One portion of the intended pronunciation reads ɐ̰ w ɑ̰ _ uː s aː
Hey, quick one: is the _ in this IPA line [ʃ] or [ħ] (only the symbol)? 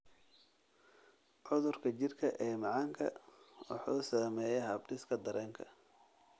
ħ